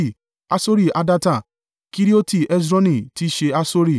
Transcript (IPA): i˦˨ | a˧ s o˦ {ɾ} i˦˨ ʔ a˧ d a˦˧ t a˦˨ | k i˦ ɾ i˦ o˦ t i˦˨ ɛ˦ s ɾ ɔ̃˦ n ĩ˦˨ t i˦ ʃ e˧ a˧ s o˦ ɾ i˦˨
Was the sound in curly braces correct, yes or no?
yes